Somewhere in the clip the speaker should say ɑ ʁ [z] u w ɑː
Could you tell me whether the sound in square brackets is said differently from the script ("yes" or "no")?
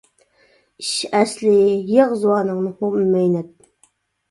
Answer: no